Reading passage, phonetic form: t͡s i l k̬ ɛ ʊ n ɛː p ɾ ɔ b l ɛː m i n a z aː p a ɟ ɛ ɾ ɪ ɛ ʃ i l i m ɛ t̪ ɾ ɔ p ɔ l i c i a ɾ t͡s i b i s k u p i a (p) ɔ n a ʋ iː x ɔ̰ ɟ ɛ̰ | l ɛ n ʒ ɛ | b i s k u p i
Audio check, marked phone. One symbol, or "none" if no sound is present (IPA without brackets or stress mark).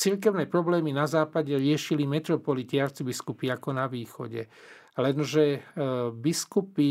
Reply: k